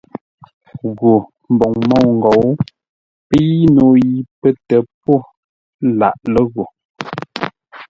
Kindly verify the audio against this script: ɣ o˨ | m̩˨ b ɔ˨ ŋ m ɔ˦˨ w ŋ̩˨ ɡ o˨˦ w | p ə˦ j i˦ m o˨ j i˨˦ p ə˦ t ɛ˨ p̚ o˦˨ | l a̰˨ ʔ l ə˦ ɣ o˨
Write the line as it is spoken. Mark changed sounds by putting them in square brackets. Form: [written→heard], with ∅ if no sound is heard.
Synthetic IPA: ɣ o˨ | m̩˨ b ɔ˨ ŋ m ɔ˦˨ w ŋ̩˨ ɡ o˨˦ w | p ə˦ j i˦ [m→n] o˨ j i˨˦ p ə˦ t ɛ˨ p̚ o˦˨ | l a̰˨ ʔ l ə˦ ɣ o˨